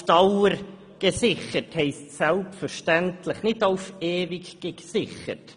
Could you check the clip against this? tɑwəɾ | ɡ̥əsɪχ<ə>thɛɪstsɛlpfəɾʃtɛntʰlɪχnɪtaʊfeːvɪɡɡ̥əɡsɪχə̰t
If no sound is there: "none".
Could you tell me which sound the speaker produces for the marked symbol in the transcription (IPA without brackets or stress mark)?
ə